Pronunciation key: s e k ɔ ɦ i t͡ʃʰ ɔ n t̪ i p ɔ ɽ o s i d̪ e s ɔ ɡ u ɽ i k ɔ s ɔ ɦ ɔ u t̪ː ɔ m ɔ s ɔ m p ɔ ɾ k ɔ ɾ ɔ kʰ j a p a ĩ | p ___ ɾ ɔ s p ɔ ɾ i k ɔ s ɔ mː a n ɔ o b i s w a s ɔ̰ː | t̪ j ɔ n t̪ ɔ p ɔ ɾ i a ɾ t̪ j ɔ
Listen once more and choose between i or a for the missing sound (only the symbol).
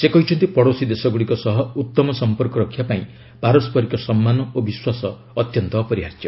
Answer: a